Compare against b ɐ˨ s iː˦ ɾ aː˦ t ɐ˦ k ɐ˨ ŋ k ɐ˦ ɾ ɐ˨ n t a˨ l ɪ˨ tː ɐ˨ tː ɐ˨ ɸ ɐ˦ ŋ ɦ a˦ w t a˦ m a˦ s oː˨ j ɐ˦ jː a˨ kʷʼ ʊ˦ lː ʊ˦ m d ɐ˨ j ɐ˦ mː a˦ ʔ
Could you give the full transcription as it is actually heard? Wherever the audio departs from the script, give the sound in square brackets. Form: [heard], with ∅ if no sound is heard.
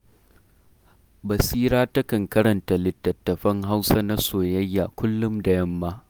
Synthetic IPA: b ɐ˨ s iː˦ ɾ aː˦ t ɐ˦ k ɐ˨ ŋ k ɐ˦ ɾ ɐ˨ n t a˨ l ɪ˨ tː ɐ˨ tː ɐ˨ ɸ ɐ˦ ŋ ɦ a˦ w [s] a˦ [n] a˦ s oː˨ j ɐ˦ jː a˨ [kʷ] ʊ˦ lː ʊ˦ m d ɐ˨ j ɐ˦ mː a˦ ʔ